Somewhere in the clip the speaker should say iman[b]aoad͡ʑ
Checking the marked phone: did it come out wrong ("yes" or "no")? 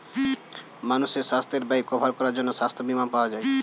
yes